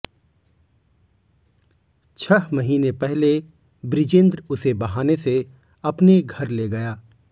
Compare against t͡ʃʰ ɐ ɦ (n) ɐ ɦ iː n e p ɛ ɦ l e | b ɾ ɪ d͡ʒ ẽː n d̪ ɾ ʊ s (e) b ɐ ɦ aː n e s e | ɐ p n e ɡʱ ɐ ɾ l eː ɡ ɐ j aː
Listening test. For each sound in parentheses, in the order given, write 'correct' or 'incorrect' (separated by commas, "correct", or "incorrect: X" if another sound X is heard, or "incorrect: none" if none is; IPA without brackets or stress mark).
incorrect: m, correct